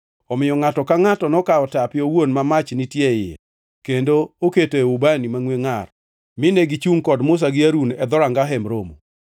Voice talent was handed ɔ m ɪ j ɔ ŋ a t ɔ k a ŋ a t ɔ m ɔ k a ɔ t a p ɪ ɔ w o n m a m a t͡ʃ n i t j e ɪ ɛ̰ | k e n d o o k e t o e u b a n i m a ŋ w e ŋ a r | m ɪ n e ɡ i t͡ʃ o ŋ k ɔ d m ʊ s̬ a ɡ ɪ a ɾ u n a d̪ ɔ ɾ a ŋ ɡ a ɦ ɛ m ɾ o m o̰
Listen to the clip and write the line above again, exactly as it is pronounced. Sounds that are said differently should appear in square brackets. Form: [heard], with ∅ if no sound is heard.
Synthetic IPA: ɔ m ɪ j ɔ ŋ a t ɔ k a ŋ a t ɔ [n] ɔ k a ɔ t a p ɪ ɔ w o n m a m a t͡ʃ n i t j e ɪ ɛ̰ | k e n d o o k e t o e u b a n i m a ŋ w e ŋ a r | m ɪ n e ɡ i t͡ʃ [u] ŋ k ɔ d m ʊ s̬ a ɡ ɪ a ɾ u n [ɛ] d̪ ɔ ɾ a ŋ ɡ a ɦ ɛ m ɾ o m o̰